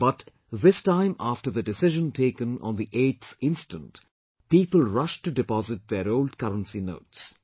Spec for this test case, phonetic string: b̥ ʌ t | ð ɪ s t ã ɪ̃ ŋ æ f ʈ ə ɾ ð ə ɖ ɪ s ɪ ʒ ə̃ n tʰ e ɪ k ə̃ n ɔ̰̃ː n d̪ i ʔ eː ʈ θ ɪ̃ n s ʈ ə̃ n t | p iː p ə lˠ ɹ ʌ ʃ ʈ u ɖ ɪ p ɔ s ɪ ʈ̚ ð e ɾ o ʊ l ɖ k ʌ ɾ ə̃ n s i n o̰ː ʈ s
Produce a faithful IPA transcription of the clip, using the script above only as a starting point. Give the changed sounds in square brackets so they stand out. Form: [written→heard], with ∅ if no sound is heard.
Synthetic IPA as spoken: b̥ ʌ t | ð ɪ s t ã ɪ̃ [ŋ→m] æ f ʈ ə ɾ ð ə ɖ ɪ s ɪ ʒ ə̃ n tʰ e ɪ k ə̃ n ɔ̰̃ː n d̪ i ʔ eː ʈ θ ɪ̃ n s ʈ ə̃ n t | p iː p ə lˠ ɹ ʌ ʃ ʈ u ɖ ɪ p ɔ [s→z] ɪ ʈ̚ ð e ɾ o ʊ l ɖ k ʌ ɾ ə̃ n s i n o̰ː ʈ s

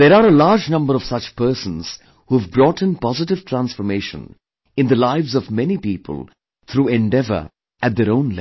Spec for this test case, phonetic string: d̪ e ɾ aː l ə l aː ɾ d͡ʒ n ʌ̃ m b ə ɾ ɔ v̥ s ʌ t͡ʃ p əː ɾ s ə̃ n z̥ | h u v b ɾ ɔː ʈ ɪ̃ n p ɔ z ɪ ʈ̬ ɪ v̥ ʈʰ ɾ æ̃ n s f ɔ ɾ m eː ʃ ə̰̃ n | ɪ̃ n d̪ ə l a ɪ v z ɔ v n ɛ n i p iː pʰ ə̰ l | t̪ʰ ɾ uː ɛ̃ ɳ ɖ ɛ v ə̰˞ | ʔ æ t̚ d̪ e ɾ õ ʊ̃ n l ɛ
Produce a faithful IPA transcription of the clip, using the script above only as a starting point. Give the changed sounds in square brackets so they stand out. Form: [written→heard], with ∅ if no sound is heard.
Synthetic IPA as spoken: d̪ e ɾ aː [l→ɾ] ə l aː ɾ d͡ʒ n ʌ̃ m b ə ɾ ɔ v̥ s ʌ t͡ʃ p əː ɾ s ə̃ n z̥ | h u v b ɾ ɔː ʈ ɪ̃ n p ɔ z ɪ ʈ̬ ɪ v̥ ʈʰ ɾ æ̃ n s f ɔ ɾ m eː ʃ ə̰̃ n | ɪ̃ n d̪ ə l a ɪ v z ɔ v [n→m] ɛ n i p iː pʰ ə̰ l | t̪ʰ ɾ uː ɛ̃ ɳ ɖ ɛ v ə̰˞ | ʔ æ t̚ d̪ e ɾ õ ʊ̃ n l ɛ

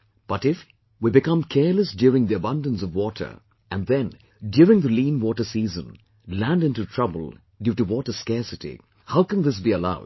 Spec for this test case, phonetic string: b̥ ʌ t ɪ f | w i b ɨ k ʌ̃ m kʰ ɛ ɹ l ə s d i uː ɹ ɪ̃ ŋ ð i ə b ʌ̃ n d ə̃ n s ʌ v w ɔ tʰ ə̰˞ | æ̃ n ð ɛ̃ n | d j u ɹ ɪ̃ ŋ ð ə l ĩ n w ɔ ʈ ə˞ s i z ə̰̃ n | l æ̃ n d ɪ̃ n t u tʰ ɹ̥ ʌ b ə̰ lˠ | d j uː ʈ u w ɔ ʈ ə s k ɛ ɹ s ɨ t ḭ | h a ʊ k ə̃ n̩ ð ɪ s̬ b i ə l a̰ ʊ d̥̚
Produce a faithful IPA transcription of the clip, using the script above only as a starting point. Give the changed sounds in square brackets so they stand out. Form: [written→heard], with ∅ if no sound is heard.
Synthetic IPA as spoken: b̥ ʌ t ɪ f | w i b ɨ k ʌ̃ m kʰ ɛ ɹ l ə s d [i→j] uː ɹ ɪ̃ ŋ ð i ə b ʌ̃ n d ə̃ n s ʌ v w ɔ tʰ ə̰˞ | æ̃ n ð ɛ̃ n | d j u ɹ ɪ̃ ŋ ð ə l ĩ n w ɔ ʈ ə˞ s i z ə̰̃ n | l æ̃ n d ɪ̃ n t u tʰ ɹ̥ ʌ b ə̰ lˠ | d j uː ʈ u w ɔ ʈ ə s k ɛ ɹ s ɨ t ḭ | h a ʊ k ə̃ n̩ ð ɪ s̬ b i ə l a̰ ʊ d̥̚

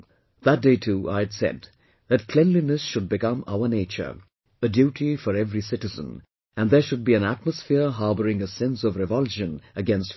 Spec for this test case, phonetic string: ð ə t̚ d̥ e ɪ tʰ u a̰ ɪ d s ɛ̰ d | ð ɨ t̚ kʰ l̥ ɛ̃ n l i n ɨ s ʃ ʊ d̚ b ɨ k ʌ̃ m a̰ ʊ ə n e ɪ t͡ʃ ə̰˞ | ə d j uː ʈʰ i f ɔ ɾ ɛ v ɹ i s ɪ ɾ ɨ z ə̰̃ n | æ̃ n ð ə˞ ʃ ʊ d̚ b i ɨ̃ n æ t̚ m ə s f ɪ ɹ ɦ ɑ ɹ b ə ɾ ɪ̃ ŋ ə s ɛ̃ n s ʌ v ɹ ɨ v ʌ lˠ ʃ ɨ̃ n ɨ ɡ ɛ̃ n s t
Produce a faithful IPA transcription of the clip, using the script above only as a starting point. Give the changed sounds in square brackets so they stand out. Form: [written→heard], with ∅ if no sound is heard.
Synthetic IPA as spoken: ð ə t̚ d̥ e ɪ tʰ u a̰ ɪ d s ɛ̰ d | ð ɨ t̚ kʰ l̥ ɛ̃ n l i n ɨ s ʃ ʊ d̚ b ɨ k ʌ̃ m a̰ ʊ ə n e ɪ t͡ʃ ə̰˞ | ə d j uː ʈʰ i f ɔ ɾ ɛ v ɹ i s ɪ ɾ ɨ z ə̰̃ n | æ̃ n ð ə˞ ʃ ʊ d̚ b i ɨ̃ n æ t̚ m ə s f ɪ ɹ ɦ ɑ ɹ b ə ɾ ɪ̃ ŋ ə s ɛ̃ n s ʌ v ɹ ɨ v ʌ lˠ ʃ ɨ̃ n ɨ ɡ ɛ̃ n s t

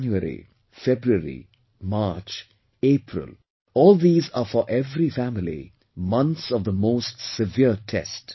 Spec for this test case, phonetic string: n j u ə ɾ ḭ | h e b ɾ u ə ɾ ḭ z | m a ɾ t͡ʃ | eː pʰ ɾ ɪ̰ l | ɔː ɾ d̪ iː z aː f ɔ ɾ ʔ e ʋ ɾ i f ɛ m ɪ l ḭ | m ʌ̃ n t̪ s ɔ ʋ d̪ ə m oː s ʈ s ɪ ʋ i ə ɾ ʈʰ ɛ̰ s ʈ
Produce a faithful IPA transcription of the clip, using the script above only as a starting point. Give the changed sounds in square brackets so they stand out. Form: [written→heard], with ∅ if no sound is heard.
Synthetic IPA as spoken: n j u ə ɾ ḭ | [h→f] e b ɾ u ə ɾ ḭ [z→∅] | m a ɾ t͡ʃ | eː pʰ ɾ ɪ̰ l | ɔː [ɾ→l] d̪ iː z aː f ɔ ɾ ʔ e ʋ ɾ i f [ɛ→æ] m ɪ l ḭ | m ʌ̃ n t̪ s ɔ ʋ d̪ ə m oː s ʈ s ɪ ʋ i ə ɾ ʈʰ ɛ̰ s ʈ

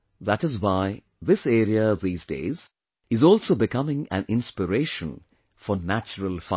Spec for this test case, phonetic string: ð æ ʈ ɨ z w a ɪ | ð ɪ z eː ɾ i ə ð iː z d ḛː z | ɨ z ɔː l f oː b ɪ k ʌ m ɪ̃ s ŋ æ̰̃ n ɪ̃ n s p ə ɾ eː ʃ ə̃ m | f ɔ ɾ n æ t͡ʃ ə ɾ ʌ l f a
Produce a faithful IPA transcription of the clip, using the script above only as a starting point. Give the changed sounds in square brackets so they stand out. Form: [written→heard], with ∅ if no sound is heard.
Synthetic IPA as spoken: ð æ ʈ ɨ z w a ɪ | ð ɪ [z→s] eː ɾ i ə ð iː z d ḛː z | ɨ z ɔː l [f→s] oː b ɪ k ʌ m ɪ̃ [s→∅] ŋ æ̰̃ n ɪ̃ n s p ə ɾ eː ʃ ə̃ [m→n] | f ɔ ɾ n æ t͡ʃ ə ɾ [ʌ→ə] l f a

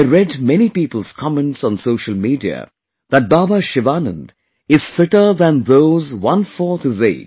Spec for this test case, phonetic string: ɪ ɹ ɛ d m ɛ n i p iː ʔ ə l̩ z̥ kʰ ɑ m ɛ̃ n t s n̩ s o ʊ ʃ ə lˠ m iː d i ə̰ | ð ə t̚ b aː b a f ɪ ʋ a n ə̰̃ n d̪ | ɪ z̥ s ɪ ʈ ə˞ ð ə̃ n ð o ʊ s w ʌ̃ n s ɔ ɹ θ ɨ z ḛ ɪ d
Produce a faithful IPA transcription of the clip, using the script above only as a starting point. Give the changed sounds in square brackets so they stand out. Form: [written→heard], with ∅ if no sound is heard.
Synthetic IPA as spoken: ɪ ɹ ɛ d m ɛ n i p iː [ʔ→p] ə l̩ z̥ kʰ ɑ m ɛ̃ n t s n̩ s o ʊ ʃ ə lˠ m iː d i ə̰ | ð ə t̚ b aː b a [f→ʃ] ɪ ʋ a n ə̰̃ n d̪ | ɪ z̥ [s→f] ɪ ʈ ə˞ ð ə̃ n ð o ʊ [s→z] w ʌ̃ n [s→f] ɔ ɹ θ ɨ z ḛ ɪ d

